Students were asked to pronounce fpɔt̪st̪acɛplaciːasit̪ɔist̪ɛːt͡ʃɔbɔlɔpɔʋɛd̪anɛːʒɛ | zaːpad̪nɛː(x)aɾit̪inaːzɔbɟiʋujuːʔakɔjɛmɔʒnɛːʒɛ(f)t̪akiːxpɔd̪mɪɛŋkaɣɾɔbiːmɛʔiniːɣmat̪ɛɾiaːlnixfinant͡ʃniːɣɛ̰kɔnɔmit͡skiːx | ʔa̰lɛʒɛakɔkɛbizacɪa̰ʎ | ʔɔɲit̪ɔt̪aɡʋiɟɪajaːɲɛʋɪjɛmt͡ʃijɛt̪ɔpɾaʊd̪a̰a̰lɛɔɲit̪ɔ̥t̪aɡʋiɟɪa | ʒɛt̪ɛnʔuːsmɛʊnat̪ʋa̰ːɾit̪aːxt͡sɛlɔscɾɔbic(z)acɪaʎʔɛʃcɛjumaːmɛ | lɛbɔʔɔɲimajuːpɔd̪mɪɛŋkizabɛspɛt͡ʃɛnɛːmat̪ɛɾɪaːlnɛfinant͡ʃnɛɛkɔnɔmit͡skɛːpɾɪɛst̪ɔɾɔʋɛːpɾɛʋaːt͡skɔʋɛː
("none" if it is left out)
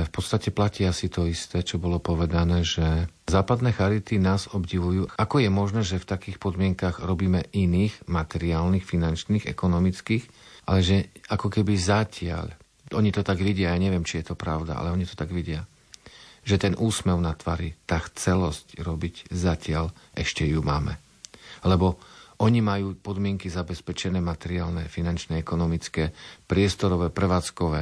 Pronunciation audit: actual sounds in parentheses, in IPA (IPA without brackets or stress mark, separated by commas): x, f, z